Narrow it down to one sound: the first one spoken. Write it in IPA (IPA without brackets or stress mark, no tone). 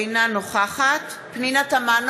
n